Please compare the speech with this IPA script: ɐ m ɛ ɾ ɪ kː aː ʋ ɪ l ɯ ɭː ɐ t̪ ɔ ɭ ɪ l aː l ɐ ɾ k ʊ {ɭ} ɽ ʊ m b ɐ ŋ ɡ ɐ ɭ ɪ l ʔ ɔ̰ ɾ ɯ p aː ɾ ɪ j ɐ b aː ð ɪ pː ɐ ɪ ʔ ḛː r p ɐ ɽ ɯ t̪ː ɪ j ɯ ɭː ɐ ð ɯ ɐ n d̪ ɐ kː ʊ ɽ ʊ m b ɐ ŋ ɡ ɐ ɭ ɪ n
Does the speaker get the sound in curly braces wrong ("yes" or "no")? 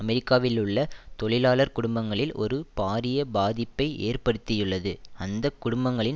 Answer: yes